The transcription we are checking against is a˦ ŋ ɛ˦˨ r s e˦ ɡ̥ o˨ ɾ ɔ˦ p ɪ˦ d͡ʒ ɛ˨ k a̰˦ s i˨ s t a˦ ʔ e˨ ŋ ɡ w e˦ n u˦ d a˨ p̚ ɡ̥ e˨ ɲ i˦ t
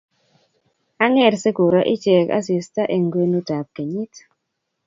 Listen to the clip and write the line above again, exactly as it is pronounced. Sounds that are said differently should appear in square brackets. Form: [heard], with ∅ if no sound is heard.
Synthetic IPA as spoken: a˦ ŋ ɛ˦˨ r s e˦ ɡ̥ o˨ ɾ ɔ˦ [ʔ] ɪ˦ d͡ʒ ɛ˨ k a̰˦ s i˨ s t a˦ ʔ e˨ ŋ ɡ w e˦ n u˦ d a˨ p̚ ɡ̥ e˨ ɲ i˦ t